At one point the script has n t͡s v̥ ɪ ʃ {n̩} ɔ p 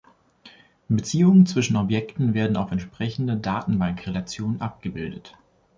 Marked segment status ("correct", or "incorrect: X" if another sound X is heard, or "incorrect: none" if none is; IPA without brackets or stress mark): correct